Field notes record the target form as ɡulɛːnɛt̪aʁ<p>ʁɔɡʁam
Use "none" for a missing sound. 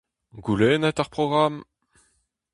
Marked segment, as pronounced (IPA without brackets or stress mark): p